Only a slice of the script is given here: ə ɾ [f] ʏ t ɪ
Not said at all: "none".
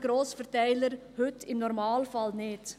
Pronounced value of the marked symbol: h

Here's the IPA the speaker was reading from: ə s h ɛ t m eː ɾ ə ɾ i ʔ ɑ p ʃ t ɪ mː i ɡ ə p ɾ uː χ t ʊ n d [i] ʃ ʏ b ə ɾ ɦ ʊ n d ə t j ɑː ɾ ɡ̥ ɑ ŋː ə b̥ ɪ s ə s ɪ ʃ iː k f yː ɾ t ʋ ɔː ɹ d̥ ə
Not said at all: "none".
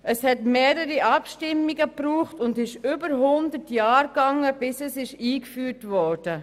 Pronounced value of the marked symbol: ɪ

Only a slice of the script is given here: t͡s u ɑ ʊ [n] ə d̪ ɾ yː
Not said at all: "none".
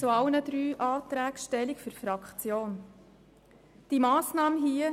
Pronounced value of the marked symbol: n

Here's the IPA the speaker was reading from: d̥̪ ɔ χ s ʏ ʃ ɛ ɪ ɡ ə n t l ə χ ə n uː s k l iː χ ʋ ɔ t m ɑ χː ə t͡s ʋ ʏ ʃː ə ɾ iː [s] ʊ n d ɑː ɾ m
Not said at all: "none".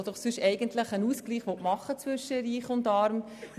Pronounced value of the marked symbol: χ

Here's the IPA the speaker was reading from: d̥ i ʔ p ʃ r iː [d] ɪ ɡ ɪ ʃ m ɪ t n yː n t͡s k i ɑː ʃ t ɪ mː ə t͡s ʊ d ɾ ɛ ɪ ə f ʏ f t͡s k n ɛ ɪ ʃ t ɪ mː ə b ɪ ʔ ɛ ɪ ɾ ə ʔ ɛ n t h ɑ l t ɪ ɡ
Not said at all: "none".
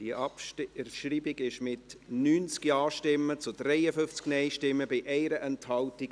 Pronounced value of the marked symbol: b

